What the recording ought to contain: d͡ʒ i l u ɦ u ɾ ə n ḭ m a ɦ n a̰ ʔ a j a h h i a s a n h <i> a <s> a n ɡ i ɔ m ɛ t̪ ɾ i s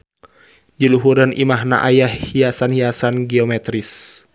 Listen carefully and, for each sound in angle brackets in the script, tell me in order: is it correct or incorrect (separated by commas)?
correct, correct